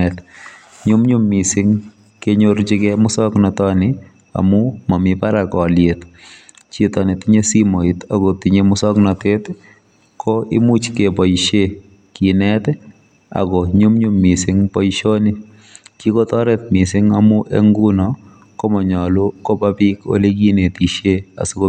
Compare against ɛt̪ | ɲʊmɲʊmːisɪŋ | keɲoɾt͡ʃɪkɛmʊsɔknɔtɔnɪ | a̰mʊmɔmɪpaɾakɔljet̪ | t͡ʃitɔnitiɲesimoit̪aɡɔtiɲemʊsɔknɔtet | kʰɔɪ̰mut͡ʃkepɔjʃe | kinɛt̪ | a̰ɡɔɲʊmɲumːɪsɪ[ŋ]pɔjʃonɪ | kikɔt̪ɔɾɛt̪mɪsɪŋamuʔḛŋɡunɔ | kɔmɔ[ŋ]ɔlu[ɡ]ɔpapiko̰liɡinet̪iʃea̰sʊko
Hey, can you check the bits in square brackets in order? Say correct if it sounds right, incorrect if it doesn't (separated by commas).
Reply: correct, incorrect, incorrect